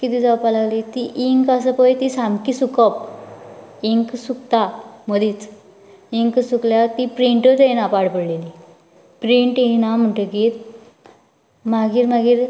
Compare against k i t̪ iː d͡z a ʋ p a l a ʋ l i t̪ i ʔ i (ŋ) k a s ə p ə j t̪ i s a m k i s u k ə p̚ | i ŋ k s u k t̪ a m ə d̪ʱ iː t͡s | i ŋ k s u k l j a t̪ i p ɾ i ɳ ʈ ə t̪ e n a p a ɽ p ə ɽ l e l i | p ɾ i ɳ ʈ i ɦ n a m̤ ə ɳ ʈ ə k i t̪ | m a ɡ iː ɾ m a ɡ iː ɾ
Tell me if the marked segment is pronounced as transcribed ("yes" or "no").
yes